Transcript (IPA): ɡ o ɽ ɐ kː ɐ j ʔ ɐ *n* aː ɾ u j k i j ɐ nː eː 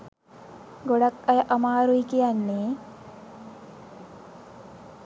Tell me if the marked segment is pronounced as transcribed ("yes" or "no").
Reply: no